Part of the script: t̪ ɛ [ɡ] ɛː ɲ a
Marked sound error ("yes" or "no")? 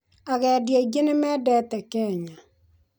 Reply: yes